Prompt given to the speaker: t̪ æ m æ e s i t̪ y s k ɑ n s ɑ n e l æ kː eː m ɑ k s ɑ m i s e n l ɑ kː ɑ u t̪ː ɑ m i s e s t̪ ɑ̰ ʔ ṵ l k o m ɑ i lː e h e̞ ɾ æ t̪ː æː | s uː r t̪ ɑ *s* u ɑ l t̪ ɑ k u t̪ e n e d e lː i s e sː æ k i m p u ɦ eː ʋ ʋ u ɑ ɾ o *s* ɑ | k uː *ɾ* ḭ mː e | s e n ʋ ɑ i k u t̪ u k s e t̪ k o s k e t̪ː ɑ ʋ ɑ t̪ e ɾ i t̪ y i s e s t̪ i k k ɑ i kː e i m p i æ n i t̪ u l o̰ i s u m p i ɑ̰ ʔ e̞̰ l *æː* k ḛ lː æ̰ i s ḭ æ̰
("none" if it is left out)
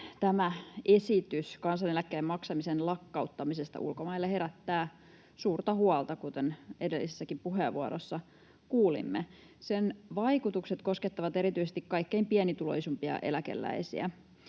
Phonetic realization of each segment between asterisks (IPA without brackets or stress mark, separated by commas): h, sː, l, æ